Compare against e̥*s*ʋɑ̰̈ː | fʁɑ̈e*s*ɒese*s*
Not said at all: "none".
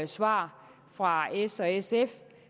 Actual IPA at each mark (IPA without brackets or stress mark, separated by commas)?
s, s, f